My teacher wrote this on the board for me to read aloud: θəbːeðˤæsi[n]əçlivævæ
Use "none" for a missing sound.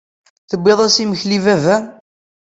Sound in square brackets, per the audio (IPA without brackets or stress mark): m